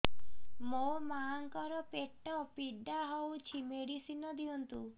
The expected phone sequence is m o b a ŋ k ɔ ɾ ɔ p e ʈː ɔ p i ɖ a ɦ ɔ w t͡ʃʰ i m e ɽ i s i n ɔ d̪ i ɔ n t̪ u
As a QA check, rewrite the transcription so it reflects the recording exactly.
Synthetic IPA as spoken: m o m a ŋ k ɔ ɾ ɔ p e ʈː ɔ p i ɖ a ɦ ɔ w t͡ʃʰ i m e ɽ i s i n ɔ d̪ i ɔ n t̪ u